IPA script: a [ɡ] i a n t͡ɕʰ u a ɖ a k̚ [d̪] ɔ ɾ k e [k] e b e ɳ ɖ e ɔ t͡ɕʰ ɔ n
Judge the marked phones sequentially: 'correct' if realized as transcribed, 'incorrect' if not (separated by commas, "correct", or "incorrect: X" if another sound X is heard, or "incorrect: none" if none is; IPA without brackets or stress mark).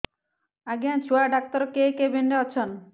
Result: correct, incorrect: t̪, correct